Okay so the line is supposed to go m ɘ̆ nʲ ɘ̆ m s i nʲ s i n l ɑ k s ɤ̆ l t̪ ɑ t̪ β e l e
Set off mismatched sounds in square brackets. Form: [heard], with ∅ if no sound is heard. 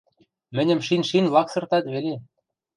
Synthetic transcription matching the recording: m ɘ̆ nʲ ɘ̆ m [ʃ] i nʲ [ʃ] i n l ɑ k s ɤ̆ [r] t̪ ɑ t̪ β e l e